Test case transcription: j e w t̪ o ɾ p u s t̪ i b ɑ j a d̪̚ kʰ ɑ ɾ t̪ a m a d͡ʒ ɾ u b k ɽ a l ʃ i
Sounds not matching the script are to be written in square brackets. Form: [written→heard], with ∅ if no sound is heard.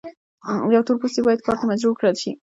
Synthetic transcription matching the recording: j [e→a] w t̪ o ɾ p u s t̪ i b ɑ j a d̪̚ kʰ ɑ ɾ t̪ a m a d͡ʒ ɾ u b k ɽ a l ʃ i